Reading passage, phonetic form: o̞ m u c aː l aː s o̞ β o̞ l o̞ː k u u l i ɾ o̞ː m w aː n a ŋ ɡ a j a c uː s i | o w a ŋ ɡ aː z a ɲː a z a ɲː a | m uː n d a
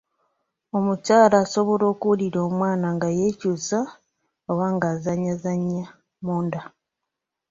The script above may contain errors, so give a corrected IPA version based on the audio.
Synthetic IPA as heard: o̞ m u c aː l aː s o̞ β o̞ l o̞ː k u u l i ɾ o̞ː m w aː n a ŋ ɡ a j e c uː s a | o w a ŋ ɡ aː z a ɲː a z a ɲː a | m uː n d a